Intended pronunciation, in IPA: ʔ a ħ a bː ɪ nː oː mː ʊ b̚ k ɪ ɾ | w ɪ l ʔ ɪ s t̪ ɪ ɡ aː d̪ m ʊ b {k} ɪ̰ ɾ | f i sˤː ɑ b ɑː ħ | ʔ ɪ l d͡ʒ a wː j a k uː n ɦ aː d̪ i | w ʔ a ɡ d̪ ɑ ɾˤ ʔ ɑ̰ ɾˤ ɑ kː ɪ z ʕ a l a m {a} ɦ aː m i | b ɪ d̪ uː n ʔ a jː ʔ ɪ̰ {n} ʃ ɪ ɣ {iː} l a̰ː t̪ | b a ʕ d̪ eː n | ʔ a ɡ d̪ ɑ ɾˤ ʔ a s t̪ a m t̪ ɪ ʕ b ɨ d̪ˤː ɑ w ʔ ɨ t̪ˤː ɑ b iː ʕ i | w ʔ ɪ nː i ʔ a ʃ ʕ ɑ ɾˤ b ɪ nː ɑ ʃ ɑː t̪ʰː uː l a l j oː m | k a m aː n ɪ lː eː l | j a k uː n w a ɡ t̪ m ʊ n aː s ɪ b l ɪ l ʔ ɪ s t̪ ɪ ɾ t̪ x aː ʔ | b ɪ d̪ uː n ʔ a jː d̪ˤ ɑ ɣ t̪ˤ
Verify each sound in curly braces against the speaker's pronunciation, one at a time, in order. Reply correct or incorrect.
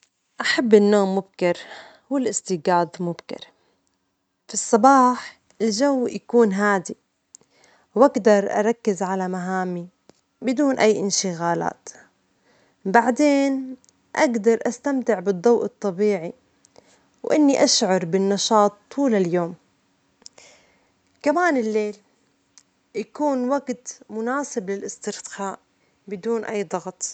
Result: correct, correct, correct, incorrect: aː

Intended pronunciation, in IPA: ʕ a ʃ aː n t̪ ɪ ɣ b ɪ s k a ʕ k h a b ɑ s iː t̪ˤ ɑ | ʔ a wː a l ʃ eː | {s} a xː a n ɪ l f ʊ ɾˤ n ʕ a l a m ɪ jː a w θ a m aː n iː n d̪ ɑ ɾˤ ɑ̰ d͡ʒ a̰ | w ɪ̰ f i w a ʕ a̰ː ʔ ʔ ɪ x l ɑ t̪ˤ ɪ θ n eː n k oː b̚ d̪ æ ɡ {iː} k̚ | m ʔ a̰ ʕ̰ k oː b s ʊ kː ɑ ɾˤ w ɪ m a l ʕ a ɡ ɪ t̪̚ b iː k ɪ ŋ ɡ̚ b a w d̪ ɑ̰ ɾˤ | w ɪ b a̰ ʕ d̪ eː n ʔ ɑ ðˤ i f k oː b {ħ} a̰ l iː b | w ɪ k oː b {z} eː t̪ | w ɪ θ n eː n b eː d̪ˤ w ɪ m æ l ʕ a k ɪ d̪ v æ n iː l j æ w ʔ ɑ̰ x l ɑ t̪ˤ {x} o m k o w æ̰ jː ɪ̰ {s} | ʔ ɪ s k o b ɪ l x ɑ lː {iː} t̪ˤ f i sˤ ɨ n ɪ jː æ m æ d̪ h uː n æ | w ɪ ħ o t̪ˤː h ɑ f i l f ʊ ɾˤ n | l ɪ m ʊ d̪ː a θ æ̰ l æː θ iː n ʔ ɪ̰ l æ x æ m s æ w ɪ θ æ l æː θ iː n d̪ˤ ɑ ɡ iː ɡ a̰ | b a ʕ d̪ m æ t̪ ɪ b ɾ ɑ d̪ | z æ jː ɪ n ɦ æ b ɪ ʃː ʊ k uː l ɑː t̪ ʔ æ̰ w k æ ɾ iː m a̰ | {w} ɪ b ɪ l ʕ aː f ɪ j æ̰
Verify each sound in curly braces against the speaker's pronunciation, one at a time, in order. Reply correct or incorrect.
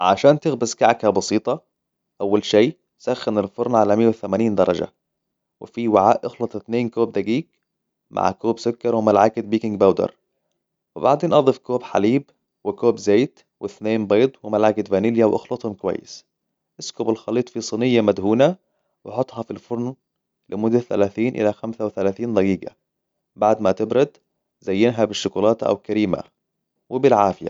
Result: correct, correct, correct, correct, incorrect: h, correct, correct, correct

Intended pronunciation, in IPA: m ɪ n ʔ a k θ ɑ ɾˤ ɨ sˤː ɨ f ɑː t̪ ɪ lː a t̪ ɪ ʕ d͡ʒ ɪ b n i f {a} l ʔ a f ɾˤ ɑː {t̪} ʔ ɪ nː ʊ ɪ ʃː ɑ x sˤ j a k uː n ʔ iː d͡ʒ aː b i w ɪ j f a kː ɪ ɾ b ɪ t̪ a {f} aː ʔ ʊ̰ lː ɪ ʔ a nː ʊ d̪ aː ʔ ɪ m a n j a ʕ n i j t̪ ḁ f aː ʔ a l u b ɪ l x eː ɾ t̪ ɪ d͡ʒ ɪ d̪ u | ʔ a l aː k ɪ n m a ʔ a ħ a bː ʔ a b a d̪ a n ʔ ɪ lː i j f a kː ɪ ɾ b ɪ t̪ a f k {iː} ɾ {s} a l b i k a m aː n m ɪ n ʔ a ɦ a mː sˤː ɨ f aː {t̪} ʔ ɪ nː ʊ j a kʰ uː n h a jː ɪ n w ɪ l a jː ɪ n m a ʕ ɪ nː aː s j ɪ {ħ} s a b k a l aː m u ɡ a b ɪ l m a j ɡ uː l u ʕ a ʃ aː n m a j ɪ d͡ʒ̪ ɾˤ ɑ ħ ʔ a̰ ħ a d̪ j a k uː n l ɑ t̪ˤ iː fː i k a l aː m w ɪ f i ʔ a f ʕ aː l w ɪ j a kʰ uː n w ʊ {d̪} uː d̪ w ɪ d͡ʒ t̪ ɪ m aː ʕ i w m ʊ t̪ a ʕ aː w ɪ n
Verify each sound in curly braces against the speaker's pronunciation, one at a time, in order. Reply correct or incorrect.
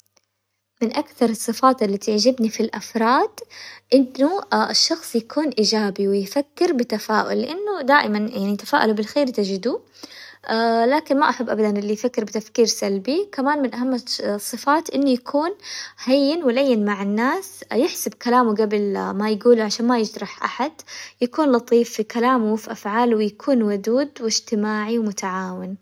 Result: incorrect: i, incorrect: d̪, correct, correct, correct, correct, correct, correct

